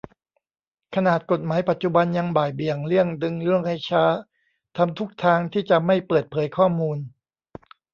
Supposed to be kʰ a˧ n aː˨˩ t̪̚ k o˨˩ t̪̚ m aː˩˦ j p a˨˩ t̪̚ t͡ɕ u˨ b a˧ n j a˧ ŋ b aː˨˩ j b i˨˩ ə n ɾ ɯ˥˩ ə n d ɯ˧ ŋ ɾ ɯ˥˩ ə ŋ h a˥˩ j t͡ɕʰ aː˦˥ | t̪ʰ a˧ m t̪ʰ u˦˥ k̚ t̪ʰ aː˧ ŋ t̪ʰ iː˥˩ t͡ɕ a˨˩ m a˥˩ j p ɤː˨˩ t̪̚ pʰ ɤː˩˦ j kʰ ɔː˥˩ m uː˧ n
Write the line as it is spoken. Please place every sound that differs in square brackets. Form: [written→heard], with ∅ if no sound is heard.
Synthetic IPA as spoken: kʰ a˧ n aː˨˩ t̪̚ k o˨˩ t̪̚ m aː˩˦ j p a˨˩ t̪̚ t͡ɕ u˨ b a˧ n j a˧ ŋ b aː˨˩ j b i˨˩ ə [n→ŋ] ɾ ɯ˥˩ ə [n→ŋ] d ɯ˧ ŋ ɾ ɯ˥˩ ə ŋ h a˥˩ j t͡ɕʰ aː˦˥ | t̪ʰ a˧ m t̪ʰ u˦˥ k̚ t̪ʰ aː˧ ŋ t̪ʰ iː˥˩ t͡ɕ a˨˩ m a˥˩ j p ɤː˨˩ t̪̚ pʰ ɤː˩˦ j kʰ ɔː˥˩ m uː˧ n